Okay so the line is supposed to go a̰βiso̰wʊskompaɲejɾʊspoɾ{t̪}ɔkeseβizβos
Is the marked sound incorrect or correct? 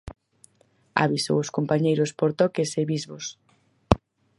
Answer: correct